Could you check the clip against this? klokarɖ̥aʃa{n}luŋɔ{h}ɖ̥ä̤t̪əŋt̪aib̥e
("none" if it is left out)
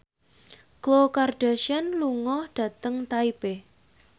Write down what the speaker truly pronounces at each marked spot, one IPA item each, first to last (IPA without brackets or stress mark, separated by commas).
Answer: n, h